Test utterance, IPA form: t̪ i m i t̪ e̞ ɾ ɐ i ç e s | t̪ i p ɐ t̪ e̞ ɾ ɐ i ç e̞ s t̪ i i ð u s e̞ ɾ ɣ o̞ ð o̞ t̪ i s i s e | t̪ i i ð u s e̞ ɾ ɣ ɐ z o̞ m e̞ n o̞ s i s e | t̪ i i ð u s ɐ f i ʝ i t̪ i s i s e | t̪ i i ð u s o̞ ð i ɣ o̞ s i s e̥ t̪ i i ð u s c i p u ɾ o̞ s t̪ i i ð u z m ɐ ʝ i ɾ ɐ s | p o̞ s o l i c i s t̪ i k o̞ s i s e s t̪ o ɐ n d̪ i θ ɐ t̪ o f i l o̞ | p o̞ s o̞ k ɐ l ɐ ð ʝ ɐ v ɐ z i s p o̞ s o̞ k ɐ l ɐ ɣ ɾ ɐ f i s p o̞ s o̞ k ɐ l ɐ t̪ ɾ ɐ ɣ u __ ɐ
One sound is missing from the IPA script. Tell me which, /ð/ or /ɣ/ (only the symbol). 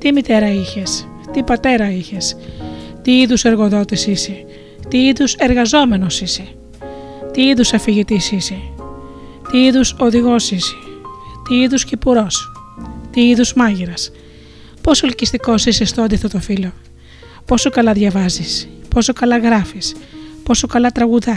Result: ð